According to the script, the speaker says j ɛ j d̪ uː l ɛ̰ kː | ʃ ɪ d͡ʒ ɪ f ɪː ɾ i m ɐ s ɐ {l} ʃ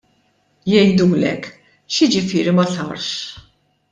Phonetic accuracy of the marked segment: incorrect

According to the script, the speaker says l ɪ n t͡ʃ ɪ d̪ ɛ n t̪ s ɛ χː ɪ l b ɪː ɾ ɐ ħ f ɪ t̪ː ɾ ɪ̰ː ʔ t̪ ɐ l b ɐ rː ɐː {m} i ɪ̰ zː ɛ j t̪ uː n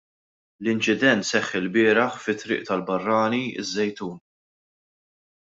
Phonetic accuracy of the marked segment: incorrect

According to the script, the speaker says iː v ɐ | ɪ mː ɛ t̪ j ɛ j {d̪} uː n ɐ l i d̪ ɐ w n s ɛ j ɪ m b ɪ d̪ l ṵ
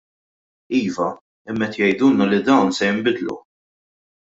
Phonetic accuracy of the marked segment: correct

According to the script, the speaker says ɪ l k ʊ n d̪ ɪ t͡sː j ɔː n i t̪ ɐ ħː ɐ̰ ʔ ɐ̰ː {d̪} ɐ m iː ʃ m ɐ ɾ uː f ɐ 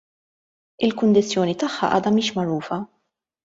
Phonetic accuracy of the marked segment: correct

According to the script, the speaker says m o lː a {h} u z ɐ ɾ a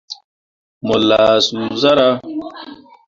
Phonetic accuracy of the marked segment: incorrect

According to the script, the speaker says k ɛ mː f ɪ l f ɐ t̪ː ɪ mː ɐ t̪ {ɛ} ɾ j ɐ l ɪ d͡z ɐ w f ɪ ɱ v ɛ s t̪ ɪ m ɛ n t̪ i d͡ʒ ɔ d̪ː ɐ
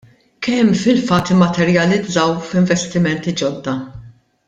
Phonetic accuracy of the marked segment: correct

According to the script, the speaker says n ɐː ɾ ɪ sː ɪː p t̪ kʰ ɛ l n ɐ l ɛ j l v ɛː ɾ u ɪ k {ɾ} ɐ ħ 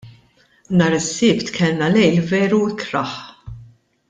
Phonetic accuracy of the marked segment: correct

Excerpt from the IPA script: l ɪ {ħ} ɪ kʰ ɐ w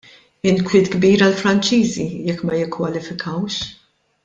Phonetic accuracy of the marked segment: incorrect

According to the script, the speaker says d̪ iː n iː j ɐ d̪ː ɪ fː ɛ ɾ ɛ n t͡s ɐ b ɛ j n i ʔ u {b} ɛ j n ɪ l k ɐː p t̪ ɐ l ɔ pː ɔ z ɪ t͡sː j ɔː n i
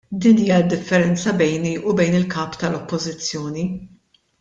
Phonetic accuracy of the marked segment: correct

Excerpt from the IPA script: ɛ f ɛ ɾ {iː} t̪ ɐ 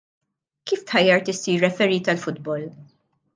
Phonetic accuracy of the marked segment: correct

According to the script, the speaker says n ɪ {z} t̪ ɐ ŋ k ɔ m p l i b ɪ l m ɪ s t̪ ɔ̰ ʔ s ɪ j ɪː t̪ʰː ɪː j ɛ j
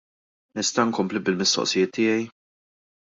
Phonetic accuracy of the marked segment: incorrect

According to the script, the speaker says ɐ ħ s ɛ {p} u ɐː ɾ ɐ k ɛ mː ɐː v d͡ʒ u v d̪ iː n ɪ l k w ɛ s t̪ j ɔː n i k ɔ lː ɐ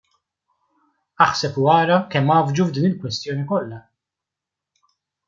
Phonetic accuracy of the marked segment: correct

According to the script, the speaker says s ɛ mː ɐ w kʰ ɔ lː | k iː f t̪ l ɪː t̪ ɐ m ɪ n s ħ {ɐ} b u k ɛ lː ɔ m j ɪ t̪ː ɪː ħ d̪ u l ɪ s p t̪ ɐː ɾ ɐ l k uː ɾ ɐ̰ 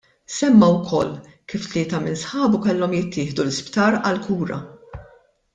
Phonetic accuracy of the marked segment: incorrect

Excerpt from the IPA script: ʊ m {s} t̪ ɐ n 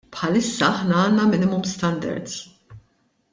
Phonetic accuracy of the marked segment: correct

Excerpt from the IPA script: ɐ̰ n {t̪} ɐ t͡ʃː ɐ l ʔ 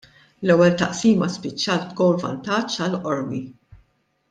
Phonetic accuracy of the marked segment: correct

